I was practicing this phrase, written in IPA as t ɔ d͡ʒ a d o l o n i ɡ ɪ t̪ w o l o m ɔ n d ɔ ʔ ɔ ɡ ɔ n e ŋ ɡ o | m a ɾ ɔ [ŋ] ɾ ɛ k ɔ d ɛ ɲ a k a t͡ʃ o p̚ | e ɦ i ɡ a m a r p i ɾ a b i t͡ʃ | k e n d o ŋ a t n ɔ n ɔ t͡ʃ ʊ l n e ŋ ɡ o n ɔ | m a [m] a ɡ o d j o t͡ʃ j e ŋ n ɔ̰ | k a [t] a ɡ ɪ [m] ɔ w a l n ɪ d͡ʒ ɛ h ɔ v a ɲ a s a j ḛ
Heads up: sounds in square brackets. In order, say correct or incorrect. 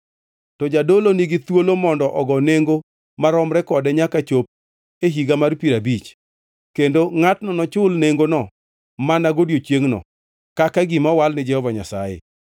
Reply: incorrect, incorrect, incorrect, correct

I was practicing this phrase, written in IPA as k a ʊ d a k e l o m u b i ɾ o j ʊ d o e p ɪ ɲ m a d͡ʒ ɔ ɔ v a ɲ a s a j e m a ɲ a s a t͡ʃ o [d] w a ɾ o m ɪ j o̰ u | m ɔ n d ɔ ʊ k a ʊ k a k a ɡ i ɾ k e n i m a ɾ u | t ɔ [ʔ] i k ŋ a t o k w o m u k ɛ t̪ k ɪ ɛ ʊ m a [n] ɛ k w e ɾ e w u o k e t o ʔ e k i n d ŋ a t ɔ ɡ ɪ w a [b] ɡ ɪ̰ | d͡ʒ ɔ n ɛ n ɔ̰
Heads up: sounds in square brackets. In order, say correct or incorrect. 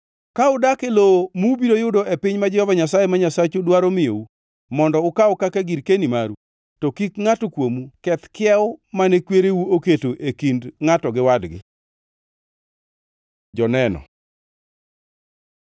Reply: correct, incorrect, correct, incorrect

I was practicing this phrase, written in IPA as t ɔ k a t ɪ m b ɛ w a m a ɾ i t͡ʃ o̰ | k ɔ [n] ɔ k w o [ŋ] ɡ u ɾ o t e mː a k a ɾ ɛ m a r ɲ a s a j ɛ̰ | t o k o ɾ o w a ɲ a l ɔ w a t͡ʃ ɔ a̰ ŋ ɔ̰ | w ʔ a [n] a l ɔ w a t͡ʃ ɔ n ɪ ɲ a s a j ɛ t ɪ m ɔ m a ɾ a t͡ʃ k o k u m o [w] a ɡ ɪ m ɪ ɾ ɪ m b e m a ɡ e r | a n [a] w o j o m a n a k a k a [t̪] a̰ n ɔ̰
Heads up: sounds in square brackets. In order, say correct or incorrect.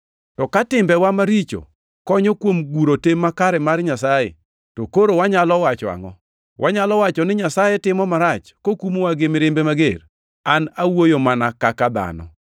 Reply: incorrect, incorrect, incorrect, correct, correct, incorrect

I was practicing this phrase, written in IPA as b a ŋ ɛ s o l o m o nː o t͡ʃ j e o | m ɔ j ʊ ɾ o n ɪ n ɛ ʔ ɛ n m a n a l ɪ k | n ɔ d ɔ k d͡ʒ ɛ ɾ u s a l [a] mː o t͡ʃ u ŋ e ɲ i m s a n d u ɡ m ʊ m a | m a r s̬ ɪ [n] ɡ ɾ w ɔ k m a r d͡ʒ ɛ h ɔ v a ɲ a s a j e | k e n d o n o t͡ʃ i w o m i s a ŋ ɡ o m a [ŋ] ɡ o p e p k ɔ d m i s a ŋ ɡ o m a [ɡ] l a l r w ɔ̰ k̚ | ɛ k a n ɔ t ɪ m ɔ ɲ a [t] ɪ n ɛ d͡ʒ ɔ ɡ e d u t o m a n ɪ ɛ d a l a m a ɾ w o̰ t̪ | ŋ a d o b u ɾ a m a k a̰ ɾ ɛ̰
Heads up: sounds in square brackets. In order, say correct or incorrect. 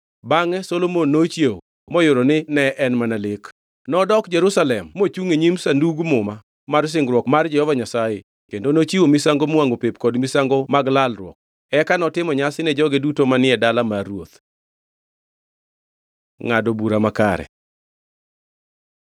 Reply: incorrect, incorrect, correct, correct, incorrect

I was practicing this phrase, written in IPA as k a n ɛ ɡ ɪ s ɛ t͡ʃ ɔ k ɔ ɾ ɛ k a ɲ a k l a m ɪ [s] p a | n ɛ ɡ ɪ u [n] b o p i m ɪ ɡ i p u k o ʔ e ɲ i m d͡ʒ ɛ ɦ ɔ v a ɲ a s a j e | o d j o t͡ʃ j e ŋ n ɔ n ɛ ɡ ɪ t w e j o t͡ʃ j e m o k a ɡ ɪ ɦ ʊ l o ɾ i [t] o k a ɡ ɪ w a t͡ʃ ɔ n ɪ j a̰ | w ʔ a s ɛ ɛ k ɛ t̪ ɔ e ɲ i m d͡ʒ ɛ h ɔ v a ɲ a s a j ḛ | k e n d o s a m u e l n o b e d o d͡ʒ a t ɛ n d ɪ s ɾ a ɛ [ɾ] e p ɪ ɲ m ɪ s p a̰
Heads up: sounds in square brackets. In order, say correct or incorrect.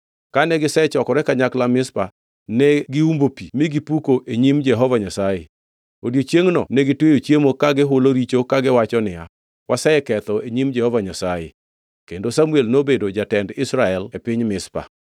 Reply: correct, incorrect, incorrect, incorrect

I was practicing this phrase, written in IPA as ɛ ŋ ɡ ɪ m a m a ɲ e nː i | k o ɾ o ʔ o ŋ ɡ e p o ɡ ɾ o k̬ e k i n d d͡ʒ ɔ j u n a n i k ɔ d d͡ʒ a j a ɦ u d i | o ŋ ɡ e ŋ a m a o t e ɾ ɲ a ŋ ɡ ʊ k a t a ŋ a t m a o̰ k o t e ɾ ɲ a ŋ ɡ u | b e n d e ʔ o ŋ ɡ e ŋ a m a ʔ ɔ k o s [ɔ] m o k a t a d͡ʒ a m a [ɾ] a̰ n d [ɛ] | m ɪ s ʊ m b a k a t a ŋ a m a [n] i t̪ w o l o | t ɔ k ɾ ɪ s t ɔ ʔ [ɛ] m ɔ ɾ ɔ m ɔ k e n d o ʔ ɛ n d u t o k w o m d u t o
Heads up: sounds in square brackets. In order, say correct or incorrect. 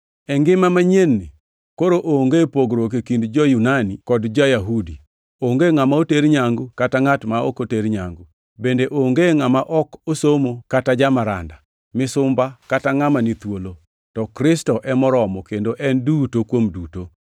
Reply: incorrect, correct, incorrect, correct, correct

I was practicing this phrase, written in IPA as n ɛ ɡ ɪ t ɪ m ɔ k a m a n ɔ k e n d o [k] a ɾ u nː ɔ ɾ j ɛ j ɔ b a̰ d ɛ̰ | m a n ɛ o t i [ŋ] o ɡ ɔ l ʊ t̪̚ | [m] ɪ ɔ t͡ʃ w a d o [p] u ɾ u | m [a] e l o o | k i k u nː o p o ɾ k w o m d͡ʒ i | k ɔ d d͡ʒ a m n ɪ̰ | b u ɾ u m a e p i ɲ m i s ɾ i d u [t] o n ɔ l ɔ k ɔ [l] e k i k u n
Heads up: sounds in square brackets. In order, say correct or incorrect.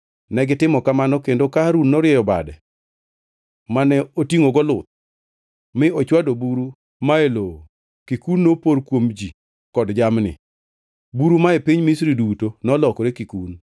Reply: correct, correct, correct, incorrect, correct, correct, incorrect

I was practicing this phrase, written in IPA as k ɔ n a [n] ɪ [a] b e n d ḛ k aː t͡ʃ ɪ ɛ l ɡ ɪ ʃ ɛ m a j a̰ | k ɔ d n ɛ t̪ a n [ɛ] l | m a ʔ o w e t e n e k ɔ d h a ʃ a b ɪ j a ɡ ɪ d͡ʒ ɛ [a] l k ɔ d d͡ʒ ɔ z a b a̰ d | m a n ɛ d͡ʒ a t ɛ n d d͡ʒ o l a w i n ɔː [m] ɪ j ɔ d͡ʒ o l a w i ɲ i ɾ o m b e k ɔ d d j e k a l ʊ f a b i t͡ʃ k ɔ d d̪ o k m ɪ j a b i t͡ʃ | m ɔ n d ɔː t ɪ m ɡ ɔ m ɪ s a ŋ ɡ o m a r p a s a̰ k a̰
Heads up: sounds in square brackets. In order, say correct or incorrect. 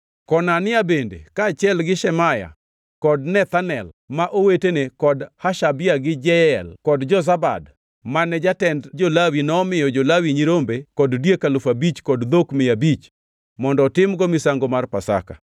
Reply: correct, correct, correct, incorrect, correct

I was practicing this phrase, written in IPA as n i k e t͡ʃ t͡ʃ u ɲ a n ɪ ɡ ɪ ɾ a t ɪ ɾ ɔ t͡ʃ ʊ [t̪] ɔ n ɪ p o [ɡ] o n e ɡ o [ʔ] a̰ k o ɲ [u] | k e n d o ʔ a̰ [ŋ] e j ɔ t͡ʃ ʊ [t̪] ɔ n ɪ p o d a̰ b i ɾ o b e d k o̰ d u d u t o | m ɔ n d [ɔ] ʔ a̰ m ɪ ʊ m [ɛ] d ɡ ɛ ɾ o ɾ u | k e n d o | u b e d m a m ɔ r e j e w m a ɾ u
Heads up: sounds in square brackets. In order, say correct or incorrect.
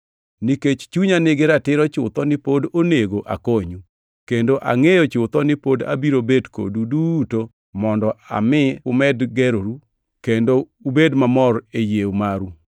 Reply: correct, incorrect, correct, correct, correct, correct, correct, correct

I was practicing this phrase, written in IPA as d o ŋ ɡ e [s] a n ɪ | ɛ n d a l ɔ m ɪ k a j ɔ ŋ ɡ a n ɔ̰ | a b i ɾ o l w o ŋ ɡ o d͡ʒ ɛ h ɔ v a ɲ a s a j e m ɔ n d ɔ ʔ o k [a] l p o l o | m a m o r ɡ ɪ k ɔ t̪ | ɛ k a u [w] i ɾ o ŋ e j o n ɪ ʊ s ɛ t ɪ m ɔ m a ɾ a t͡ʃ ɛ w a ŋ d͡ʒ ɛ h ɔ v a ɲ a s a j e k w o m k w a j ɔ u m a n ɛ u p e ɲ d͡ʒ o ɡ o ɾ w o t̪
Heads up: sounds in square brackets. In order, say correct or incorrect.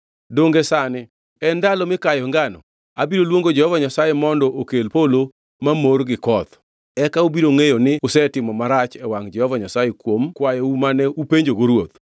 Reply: correct, incorrect, incorrect

